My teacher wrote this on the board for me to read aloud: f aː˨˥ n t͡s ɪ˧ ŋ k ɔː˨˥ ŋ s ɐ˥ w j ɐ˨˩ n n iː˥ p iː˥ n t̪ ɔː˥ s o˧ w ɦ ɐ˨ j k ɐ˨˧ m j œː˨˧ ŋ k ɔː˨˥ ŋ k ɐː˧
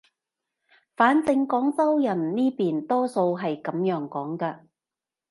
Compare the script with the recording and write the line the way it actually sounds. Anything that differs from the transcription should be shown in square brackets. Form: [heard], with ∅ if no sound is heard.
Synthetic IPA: f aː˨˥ n t͡s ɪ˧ ŋ k ɔː˨˥ ŋ [t͡s] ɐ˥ w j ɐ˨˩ n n iː˥ p [iː˨] n t̪ ɔː˥ s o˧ w ɦ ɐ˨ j k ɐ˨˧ m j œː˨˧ ŋ k ɔː˨˥ ŋ k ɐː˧